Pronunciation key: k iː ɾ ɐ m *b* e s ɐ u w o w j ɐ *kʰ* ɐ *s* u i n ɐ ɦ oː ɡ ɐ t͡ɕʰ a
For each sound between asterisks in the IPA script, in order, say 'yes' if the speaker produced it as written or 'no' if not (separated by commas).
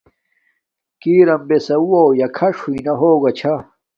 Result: yes, yes, no